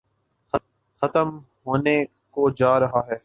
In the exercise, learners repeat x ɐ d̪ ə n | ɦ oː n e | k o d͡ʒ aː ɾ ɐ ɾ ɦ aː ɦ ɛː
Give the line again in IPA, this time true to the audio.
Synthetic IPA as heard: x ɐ t̪ ə m | ɦ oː n e | k o d͡ʒ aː ɾ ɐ ɦ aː ɦ ɛː